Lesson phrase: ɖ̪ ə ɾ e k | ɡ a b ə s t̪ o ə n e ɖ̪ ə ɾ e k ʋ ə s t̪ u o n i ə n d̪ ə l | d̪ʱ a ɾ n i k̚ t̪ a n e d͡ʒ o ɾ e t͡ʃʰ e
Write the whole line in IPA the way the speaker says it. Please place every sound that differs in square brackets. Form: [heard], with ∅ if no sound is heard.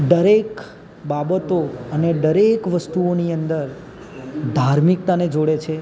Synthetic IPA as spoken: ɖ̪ ə ɾ e k | [b] a b ə [∅] t̪ o ə n e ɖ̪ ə ɾ e k ʋ ə s t̪ u o n i ə n d̪ ə [ɾ] | d̪ʱ a ɾ [m] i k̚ t̪ a n e d͡ʒ o [ɽ] e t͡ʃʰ e